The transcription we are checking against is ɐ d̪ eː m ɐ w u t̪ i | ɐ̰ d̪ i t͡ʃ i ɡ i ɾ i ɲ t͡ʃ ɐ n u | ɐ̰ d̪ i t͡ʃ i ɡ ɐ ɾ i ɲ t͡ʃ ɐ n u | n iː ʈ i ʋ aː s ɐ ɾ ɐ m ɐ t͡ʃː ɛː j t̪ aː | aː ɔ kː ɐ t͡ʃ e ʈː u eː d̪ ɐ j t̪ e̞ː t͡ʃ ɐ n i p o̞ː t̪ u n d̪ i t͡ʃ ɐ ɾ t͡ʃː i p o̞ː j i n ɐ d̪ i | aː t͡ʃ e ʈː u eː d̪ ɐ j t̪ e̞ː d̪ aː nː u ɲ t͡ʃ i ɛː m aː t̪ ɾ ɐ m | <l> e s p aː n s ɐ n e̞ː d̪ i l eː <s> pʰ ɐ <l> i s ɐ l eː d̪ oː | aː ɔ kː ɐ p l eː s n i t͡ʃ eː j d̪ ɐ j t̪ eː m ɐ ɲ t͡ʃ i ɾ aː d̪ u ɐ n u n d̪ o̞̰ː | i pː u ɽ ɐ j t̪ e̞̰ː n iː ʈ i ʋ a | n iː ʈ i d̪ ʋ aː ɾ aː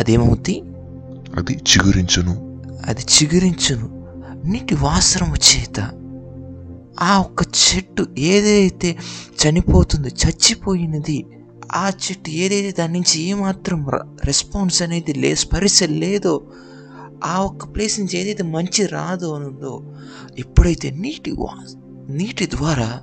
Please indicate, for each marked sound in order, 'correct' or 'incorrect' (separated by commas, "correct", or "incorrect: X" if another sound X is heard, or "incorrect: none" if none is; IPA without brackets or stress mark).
incorrect: ɾ, correct, incorrect: ɾ